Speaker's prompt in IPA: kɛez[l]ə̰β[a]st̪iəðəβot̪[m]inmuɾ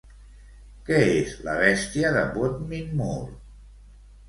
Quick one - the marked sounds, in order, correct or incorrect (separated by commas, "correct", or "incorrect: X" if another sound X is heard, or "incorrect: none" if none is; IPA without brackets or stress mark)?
correct, incorrect: ɛ, correct